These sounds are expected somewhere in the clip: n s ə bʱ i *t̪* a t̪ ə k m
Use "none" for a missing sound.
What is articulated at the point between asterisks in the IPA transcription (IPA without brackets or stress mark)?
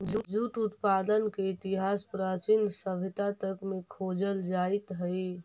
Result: t̪